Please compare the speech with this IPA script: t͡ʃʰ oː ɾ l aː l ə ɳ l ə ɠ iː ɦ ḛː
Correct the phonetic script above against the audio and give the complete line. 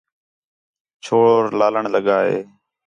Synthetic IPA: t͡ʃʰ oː ɾ l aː l ə ɳ l ə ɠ aː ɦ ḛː